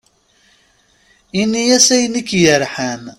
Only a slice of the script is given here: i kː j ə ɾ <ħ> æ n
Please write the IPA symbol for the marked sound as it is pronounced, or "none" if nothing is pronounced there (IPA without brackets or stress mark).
ħ